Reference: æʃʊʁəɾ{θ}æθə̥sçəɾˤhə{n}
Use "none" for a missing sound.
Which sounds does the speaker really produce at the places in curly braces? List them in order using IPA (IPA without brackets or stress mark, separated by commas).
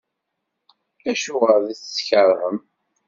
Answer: ð, m